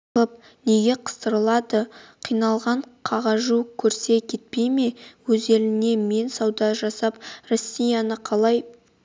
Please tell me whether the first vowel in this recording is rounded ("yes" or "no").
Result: no